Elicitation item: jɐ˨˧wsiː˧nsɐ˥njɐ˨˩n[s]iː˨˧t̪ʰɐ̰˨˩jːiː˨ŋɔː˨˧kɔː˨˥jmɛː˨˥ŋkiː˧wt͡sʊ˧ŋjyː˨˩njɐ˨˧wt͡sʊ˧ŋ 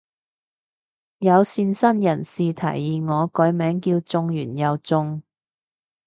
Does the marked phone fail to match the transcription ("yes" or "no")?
no